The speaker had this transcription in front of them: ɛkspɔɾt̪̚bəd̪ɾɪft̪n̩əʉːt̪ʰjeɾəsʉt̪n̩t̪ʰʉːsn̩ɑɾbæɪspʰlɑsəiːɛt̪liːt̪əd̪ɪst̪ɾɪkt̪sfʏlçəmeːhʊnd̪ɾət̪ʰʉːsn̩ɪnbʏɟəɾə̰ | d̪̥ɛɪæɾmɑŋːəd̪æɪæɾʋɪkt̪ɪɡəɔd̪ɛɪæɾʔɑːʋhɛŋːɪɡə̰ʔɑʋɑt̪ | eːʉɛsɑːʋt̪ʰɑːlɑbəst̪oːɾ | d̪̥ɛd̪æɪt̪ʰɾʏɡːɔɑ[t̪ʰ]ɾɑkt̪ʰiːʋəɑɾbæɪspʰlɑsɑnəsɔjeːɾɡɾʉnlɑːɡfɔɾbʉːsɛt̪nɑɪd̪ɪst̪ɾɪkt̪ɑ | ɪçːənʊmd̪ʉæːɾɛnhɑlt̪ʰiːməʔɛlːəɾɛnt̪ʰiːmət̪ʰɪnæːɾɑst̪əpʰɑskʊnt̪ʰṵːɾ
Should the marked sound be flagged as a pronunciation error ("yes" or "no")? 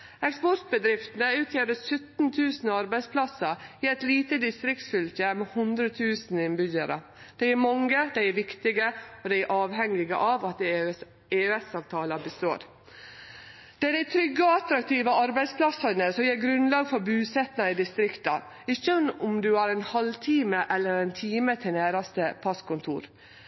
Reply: yes